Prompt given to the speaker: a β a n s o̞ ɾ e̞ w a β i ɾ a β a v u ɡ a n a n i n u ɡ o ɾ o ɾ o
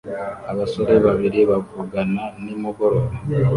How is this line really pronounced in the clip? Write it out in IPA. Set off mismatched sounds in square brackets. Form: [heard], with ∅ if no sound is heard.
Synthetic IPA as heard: a β a [∅] s o̞ ɾ e̞ [β] a β i ɾ [i] β a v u ɡ a n a n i [m] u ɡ o ɾ o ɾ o